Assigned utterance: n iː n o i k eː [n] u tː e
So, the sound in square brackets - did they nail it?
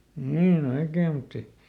no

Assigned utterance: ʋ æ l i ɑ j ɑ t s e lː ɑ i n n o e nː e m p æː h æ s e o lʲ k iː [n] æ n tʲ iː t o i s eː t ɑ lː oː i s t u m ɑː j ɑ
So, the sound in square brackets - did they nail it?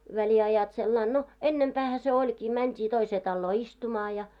no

